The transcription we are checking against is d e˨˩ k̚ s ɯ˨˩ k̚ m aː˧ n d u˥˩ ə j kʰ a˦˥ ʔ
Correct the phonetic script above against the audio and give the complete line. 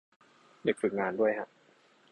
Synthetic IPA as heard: d e˨˩ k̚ f ɯ˨˩ k̚ ŋ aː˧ n d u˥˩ ə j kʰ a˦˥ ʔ